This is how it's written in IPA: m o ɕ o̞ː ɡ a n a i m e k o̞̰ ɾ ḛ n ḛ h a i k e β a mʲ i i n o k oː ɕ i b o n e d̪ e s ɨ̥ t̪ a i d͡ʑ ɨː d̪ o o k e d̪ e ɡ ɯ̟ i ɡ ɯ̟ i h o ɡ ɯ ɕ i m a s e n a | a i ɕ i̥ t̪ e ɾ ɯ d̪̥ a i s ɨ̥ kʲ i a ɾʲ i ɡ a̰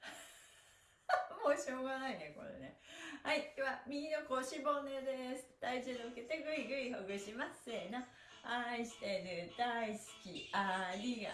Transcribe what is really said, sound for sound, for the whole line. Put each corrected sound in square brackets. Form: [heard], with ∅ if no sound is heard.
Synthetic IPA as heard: m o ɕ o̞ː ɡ a n a i [n] e k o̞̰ ɾ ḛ n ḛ h a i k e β a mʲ i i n o k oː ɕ i b o n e d̪ e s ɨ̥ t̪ a i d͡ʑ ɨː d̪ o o k e [t̪] e ɡ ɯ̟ i ɡ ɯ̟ i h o ɡ ɯ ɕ i m a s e n a | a i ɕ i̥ t̪ e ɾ ɯ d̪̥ a i s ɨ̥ kʲ i a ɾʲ i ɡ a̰

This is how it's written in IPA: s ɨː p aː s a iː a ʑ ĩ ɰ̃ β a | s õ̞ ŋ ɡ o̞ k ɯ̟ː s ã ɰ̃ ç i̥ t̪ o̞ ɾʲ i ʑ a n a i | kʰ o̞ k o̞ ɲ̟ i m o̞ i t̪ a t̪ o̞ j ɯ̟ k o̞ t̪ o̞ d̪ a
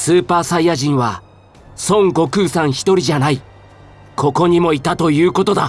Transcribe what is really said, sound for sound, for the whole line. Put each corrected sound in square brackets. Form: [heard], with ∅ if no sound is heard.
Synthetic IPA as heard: s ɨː p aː s a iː a ʑ ĩ ɰ̃ β a | s õ̞ ŋ ɡ o̞ k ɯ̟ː s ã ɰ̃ ç i̥ t̪ o̞ ɾʲ i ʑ a n a i | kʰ o̞ k o̞ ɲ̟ i m o̞ i t̪ a t̪ o̞ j [ɯ̟ː] k o̞ t̪ o̞ d̪ a

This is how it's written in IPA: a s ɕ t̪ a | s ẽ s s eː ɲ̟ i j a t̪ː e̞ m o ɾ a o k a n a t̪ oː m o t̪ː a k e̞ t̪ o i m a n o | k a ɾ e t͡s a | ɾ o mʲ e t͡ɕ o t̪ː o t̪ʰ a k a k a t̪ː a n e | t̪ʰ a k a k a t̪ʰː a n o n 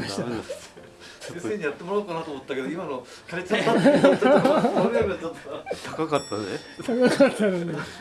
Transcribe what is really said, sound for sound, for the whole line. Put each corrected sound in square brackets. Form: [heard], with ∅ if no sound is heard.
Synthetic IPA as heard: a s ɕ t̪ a | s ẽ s s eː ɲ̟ i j a t̪ː e̞ m o ɾ a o k a n a t̪ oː m o t̪ː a k e̞ [d̪] o i m a n o | k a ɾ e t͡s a | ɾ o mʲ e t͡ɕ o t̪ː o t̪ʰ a k a k a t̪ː a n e | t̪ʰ a k a k a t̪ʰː a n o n

